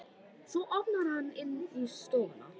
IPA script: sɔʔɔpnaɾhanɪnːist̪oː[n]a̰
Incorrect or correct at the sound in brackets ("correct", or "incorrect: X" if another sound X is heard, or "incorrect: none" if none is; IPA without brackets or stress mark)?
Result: correct